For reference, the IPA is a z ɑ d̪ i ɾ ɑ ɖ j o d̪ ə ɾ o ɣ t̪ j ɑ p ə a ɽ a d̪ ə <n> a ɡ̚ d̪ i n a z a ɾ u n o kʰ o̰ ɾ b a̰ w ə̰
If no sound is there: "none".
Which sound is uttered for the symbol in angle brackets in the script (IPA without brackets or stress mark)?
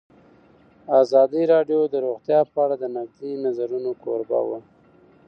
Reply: n